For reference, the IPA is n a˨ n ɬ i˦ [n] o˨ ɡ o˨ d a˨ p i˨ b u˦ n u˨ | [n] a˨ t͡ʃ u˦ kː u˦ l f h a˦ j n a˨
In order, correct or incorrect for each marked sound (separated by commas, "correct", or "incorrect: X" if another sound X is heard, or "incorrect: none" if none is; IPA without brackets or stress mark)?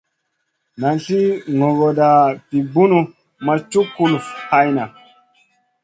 incorrect: ŋ, incorrect: m